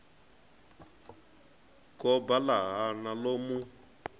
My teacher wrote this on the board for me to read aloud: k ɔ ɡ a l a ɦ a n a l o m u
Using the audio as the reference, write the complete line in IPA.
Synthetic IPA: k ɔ b a l a ɦ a n a l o m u